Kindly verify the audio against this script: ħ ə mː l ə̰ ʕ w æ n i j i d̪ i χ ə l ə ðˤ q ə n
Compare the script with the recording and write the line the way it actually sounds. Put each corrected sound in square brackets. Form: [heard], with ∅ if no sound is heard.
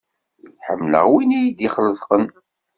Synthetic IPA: ħ ə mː l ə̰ [ʁ] w [i] n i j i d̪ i χ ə l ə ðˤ q ə n